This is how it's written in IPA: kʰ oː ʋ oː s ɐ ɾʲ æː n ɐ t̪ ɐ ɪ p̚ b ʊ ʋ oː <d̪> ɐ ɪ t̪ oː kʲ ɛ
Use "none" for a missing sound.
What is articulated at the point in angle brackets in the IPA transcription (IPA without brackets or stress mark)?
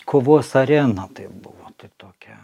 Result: t̪